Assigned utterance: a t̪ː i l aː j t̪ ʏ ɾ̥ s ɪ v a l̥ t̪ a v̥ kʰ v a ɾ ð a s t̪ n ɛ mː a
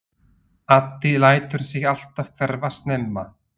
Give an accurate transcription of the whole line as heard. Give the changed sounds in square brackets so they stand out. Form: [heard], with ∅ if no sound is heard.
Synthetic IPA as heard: a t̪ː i l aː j t̪ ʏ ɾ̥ s ɪ [ɣ] a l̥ t̪ a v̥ kʰ v [ɛ] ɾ [v] a s t̪ n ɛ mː a